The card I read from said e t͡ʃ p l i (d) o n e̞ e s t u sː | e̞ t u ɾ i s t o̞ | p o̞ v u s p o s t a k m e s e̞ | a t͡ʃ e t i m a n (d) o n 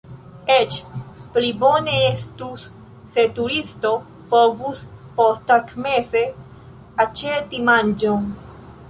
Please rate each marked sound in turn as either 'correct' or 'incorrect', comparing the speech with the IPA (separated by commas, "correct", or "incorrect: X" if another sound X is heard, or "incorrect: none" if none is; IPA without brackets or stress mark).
incorrect: b, incorrect: d͡ʒ